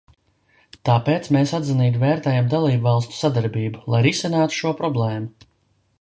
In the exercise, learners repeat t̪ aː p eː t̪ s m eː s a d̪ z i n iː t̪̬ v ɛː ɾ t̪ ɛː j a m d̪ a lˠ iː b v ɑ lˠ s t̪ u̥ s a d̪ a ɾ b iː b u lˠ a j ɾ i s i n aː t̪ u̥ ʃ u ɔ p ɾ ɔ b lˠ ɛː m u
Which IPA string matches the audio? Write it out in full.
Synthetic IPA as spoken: t̪ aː p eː t̪ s m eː s a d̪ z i n iː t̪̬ v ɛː ɾ t̪ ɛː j a m d̪ a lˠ iː b v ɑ lˠ s t̪ u̥ s a d̪ a ɾ b iː b u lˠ a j ɾ i s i n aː t̪ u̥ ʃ u ɔ p ɾ ɔ b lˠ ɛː m u